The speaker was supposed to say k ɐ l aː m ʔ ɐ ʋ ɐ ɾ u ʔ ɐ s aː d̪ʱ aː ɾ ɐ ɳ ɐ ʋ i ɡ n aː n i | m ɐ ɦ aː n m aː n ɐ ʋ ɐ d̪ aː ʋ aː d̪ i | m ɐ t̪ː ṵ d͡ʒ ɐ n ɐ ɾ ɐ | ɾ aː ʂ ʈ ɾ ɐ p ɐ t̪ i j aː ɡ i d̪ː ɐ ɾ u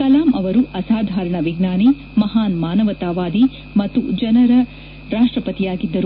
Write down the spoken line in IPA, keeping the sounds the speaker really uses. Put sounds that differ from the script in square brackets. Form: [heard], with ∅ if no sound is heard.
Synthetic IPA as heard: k ɐ l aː m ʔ ɐ ʋ ɐ ɾ u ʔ ɐ s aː d̪ʱ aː ɾ ɐ ɳ ɐ ʋ i ɡ n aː n i | m ɐ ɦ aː n m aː n ɐ ʋ ɐ [t̪] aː ʋ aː d̪ i | m ɐ t̪ː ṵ d͡ʒ ɐ n ɐ ɾ ɐ | ɾ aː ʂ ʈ ɾ ɐ p ɐ t̪ i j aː ɡ i d̪ː ɐ ɾ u